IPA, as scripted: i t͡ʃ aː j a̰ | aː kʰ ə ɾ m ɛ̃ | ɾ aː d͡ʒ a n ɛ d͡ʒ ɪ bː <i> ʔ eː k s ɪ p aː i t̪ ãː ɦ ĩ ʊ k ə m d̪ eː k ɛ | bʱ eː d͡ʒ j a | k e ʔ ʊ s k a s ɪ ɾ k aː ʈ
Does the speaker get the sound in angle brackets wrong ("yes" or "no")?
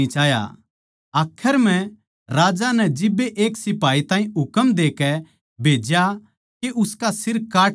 yes